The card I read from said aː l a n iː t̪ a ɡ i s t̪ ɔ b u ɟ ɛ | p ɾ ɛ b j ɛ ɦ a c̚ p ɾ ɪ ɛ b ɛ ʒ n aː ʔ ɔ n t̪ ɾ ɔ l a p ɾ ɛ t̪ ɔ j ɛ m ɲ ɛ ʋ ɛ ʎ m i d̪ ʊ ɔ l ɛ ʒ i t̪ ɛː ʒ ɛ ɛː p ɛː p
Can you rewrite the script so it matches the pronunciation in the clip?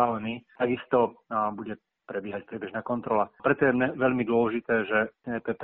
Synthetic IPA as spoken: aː l ɛ n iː t̪ a ɡ i s t̪ ɔ b u ɟ ɛ | p ɾ ɛ b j ɛ ɦ a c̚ p ɾ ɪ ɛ b ɛ ʒ n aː k ɔ n t̪ ɾ ɔ l a p ɾ ɛ t̪ ɔ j ɛ m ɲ ɛ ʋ ɛ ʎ m i d̪ ʊ ɔ l ɛ ʒ i t̪ ɛː ʒ ɛ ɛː p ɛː p